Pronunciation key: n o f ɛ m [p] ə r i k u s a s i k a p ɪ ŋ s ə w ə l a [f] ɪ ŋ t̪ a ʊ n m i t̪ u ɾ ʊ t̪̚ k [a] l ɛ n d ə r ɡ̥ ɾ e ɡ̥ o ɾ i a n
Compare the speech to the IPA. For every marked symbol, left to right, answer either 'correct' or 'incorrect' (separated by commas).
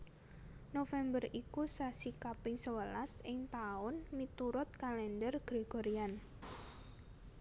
incorrect, incorrect, correct